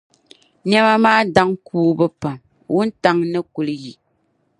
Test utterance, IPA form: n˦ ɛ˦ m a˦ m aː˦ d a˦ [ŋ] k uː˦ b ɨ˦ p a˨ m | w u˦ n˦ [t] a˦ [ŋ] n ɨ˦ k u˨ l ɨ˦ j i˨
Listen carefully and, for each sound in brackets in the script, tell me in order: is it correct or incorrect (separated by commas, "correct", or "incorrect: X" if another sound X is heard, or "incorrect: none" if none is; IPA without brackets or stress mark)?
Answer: correct, correct, correct